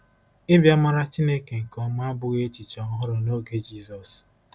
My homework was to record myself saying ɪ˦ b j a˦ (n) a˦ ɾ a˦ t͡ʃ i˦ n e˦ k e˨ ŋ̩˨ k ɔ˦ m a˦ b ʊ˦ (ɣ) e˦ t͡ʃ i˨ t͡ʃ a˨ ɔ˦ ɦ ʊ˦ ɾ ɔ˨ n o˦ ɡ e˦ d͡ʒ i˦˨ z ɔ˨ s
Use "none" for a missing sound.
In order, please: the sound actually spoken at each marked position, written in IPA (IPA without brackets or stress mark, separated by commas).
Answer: m, ɣ